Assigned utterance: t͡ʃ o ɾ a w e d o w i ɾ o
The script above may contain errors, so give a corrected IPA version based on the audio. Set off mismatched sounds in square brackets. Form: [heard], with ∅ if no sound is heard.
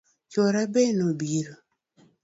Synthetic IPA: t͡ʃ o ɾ a [b] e [n] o [b] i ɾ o